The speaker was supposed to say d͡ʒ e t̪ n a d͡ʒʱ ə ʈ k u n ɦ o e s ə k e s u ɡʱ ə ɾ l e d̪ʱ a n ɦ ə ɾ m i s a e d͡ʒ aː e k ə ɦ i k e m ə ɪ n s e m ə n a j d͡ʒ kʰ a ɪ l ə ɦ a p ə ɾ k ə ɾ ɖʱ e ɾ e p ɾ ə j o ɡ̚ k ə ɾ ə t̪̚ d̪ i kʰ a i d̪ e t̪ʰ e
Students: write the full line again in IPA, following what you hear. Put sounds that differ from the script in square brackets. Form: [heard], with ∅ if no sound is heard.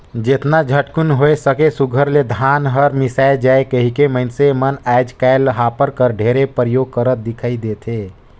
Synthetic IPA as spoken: d͡ʒ e t̪ n a d͡ʒʱ ə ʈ k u n ɦ o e s ə k e s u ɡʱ ə ɾ l e d̪ʱ a n ɦ ə ɾ m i s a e d͡ʒ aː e k ə ɦ i k e m ə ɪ n s e m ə n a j d͡ʒ [k] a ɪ l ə ɦ a p ə ɾ k ə ɾ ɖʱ e ɾ e p ɾ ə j o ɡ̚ k ə ɾ ə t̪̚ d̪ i kʰ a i d̪ e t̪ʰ e